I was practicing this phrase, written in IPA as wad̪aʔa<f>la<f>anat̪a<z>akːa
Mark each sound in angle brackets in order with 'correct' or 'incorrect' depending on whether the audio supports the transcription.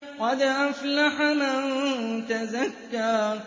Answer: correct, incorrect: ħ, correct

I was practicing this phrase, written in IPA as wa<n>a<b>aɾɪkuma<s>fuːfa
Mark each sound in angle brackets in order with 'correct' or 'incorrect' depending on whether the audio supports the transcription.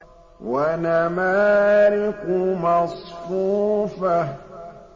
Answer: correct, incorrect: m, correct

